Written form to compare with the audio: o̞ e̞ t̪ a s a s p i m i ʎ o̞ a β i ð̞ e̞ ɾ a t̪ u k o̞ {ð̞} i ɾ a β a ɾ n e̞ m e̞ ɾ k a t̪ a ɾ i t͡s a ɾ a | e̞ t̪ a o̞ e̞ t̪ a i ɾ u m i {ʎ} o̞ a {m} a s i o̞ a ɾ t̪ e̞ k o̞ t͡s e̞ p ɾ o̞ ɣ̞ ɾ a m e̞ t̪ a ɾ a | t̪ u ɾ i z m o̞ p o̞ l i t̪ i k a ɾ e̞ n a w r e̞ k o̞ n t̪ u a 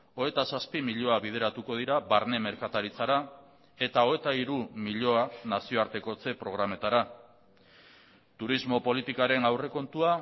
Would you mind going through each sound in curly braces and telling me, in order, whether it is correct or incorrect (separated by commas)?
correct, correct, incorrect